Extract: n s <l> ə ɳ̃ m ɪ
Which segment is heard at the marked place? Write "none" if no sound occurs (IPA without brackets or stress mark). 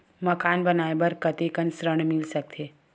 ɾ